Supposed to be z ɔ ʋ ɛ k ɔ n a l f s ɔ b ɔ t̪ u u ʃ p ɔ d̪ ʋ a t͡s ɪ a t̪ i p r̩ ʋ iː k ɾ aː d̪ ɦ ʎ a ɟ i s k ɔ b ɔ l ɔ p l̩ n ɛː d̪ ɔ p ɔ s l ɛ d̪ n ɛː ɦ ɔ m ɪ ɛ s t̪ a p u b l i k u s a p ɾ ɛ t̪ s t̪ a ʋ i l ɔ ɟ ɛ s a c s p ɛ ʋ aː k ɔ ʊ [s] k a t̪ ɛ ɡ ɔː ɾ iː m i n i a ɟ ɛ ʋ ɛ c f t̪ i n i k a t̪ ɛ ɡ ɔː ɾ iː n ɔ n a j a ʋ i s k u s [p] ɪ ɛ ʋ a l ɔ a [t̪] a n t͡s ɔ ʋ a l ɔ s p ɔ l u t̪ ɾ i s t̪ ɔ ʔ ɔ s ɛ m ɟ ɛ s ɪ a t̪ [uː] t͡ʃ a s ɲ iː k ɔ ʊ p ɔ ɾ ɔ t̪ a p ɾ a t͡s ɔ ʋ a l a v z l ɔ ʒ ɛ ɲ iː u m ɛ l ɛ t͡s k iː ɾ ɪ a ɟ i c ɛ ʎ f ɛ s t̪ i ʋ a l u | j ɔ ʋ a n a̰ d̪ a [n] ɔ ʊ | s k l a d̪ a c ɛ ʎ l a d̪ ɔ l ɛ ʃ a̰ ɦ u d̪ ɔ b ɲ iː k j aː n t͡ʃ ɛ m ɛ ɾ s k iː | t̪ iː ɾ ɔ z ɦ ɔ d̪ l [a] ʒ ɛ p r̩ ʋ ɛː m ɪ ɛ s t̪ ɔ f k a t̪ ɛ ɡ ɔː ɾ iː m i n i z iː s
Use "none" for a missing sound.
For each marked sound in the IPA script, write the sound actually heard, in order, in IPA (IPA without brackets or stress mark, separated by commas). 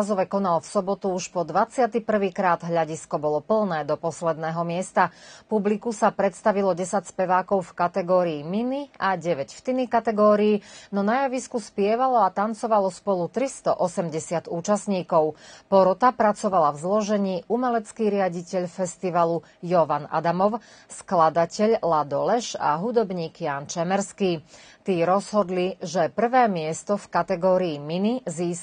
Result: f, p, t̪, uː, m, i